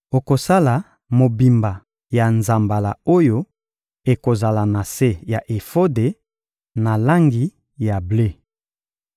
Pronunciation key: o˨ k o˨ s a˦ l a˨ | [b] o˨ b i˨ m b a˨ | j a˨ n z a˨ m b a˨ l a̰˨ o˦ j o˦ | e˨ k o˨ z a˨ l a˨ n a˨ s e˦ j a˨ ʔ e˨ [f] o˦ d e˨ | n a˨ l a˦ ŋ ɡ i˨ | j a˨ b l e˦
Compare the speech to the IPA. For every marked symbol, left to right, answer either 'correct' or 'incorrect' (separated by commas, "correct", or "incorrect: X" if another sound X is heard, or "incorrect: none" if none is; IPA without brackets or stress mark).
incorrect: m, correct